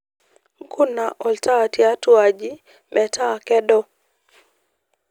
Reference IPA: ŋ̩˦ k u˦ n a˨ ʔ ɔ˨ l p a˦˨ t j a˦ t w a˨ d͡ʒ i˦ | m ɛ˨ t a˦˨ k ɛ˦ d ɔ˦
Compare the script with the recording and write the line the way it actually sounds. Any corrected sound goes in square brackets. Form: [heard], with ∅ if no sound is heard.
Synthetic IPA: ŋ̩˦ k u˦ n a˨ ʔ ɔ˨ l [t] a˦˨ t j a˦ t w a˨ d͡ʒ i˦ | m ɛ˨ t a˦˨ k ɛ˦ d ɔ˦